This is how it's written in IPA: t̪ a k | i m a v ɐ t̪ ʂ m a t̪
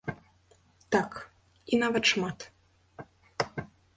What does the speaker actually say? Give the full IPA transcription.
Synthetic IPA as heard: t̪ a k | i n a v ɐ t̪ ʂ m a t̪